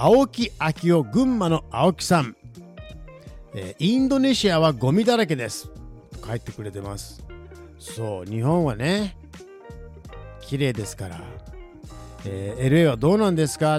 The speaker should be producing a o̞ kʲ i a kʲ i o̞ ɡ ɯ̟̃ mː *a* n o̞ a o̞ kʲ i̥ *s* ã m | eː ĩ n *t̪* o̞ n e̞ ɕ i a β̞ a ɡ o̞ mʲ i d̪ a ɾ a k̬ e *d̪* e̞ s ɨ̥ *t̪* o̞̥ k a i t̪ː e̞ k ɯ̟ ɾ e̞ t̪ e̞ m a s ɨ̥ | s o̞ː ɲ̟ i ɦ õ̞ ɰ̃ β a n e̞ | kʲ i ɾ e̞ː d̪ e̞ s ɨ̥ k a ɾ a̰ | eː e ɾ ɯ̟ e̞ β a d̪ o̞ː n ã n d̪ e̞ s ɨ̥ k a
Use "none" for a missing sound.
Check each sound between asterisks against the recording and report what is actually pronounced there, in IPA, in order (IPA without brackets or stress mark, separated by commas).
a, s, d̪, d̪, t̪